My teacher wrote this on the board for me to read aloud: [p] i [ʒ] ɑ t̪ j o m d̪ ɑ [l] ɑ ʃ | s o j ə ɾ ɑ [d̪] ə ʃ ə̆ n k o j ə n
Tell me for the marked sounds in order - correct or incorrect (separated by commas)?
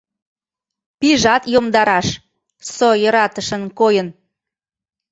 correct, correct, incorrect, incorrect